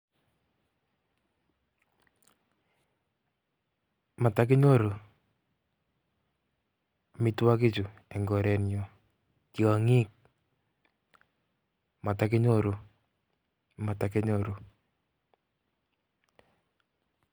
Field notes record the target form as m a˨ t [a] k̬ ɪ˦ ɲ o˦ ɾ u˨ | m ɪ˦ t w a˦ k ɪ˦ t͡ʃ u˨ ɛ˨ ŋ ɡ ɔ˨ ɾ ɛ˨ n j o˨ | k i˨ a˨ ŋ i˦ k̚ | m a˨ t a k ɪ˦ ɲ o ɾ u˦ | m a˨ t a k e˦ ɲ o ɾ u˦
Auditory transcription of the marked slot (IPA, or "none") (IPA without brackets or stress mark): a